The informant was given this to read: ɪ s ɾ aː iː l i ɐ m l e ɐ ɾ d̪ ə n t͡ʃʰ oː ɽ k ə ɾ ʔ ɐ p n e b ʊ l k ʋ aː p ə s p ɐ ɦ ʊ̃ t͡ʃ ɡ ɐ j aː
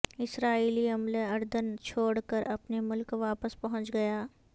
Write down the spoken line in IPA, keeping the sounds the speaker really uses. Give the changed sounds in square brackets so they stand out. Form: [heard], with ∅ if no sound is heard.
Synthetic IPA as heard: ɪ s ɾ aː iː l i ɐ m l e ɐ ɾ d̪ ə n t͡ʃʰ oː ɽ k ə ɾ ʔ ɐ p n e [m] ʊ l k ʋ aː p ə s p ɐ ɦ ʊ̃ t͡ʃ ɡ ɐ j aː

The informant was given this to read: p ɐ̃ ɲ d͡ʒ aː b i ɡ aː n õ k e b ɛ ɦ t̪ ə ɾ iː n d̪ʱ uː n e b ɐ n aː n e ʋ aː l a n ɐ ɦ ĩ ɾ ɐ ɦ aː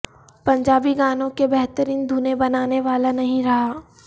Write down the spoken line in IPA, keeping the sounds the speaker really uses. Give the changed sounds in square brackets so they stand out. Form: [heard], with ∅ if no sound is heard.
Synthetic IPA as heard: p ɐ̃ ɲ d͡ʒ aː b i ɡ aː n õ k e b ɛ ɦ t̪ ə ɾ iː n d̪ʱ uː n e b ɐ n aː n e ʋ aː l a n ɐ ɦ ĩ ɾ ɐ ɦ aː

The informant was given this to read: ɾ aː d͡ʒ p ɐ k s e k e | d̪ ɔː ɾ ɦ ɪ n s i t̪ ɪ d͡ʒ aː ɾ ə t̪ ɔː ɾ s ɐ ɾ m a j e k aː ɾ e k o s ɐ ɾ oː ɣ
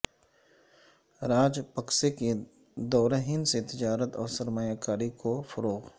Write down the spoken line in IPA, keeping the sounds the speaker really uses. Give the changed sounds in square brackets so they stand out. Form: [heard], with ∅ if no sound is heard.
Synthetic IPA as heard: ɾ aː d͡ʒ p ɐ k s e k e | d̪ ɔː ɾ ɦ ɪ n s [e] t̪ ɪ d͡ʒ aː ɾ ə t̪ ɔː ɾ s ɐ ɾ m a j [a] k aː ɾ [i] k o [f] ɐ ɾ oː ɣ

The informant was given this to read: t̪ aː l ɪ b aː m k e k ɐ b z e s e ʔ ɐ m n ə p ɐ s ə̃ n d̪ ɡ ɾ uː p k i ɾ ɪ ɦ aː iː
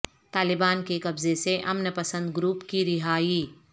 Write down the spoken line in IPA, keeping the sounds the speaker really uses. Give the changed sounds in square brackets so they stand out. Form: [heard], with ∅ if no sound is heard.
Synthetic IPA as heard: t̪ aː l ɪ b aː [n] k e k ɐ b z e s e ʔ ɐ m n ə p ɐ s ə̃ n d̪ ɡ ɾ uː p k i ɾ ɪ ɦ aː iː

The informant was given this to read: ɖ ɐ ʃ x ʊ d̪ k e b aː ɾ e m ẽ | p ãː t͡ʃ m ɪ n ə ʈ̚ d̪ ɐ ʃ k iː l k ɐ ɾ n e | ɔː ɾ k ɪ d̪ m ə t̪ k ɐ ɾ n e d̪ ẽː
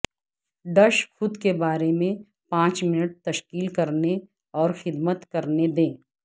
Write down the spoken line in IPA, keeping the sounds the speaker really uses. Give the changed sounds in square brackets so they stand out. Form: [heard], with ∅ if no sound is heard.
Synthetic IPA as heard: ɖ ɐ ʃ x ʊ d̪ k e b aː ɾ e m ẽ | p ãː t͡ʃ m ɪ n ə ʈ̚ [t̪] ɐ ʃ k iː l k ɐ ɾ n e | ɔː ɾ [x] ɪ d̪ m ə t̪ k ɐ ɾ n e d̪ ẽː

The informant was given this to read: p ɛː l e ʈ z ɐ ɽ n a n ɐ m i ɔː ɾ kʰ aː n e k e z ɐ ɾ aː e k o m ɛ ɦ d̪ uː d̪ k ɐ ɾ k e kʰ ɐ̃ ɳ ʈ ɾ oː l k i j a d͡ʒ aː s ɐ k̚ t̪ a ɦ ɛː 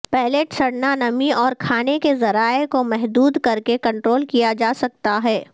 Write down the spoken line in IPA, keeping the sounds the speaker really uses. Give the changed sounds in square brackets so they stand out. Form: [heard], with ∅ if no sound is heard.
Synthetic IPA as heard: p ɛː l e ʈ [s] ɐ ɽ n a n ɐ m i ɔː ɾ kʰ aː n e k e z ɐ ɾ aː e k o m ɛ ɦ d̪ uː d̪ k ɐ ɾ k e [k] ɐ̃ ɳ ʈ ɾ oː l k i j a d͡ʒ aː s ɐ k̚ t̪ a ɦ ɛː

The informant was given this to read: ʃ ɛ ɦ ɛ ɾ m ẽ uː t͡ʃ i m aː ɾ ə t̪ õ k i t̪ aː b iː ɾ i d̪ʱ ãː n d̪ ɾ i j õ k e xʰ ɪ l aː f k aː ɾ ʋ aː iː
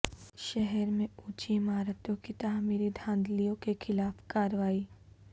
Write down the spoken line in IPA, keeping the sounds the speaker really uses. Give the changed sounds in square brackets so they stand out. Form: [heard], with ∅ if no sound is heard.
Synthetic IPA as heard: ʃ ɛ ɦ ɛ ɾ m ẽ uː t͡ʃ i m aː ɾ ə t̪ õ k i t̪ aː [m] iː ɾ i d̪ʱ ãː n d̪ [l] i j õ k e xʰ ɪ l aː f k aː ɾ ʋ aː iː

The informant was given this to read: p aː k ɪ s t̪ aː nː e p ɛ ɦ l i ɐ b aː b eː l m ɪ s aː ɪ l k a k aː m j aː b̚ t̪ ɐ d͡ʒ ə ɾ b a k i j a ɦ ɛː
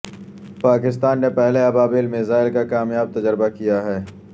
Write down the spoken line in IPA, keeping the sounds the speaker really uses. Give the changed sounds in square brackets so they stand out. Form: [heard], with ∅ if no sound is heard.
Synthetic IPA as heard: p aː k ɪ s t̪ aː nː e p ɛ ɦ l [e] ɐ b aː b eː l m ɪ [z] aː ɪ l k a k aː m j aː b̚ t̪ ɐ d͡ʒ ə ɾ b a k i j a ɦ ɛː

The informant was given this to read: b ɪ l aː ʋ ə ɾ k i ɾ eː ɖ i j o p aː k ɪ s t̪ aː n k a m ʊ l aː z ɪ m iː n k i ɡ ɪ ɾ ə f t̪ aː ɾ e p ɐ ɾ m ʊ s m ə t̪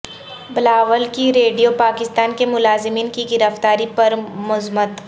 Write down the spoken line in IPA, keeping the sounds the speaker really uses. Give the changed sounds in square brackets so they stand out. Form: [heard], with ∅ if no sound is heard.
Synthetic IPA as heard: b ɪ l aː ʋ ə [l] k i ɾ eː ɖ i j o p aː k ɪ s t̪ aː n k [e] m ʊ l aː z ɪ m iː n k i ɡ ɪ ɾ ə f t̪ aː ɾ [i] p ɐ ɾ m ʊ [z] m ə t̪

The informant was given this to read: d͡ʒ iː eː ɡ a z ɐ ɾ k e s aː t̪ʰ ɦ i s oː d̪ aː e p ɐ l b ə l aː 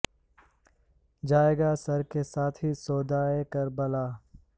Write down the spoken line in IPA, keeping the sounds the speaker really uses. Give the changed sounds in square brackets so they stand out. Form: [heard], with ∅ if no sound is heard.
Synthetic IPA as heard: d͡ʒ [aː] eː ɡ a [s] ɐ ɾ k e s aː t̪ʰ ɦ i s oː d̪ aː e [k] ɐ [ɾ] b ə l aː

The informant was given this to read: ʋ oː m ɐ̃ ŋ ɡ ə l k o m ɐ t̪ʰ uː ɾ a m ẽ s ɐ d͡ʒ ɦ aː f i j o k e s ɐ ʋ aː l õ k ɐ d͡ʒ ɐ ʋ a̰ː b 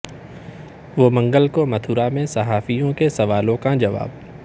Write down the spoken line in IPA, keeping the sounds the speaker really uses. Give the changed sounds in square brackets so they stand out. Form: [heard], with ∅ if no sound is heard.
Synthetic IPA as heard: ʋ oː m ɐ̃ ŋ ɡ ə l k o m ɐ t̪ʰ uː ɾ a m ẽ s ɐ [∅] ɦ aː f i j [õ] k e s ɐ ʋ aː l õ k [a] d͡ʒ ɐ ʋ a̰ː b

